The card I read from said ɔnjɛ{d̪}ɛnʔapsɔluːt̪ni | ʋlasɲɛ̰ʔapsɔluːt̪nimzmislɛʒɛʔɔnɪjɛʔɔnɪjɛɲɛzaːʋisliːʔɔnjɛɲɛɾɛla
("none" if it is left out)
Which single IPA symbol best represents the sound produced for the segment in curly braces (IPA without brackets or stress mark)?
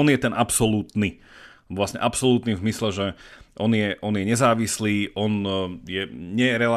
t̪